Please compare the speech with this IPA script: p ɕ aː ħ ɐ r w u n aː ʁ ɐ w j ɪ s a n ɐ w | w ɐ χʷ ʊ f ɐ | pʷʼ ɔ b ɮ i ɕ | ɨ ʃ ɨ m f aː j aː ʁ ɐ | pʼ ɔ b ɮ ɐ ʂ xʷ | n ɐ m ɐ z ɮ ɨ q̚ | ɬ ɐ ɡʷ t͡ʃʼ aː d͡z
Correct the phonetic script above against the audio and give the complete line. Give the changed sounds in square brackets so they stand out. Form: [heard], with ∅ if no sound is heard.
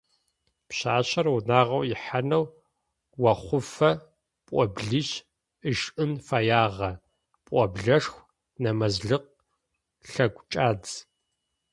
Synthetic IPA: p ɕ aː [ɕ] ɐ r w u n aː ʁ ɐ w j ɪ [ħ] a n ɐ w | w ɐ χʷ ʊ f ɐ | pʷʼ ɔ b ɮ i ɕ | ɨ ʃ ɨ [n] f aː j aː ʁ ɐ | pʼ ɔ b ɮ ɐ ʂ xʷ | n ɐ m ɐ z ɮ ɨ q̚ | ɬ ɐ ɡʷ t͡ʃʼ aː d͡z